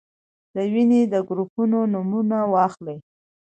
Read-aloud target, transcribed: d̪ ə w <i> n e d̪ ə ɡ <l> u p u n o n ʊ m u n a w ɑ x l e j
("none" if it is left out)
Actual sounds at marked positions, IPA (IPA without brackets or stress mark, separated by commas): i, ɾ